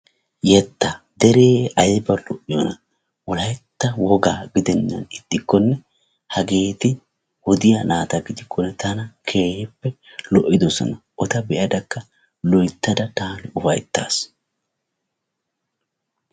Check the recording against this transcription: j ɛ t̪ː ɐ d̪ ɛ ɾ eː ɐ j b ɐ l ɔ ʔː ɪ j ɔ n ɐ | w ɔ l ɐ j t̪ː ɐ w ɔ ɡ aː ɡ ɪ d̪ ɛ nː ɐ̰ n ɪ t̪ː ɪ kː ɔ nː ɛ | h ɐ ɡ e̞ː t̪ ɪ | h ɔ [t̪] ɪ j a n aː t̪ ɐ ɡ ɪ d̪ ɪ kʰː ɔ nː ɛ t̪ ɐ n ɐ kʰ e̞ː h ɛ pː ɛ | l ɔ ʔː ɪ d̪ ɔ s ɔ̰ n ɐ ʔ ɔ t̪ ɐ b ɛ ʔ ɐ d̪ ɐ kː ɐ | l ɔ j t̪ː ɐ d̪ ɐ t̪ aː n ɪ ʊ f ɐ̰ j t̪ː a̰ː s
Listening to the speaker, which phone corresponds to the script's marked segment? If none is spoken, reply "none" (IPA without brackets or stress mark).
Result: d̪